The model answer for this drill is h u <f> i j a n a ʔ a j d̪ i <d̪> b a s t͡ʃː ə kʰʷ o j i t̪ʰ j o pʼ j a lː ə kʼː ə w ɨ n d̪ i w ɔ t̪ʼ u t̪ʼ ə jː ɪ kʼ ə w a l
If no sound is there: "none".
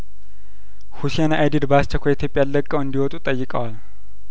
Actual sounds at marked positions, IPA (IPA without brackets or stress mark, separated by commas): s, d̪